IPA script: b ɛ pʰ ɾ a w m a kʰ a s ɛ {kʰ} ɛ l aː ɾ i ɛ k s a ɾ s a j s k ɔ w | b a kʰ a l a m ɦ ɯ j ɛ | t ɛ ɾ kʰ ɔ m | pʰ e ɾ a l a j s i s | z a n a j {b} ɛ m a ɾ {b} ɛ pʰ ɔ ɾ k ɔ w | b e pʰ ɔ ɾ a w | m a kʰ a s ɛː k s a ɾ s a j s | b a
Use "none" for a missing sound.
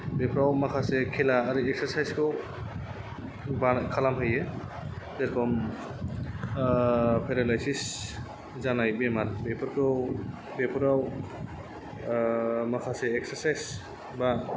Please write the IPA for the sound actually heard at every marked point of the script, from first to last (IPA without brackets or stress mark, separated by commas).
kʰ, b, b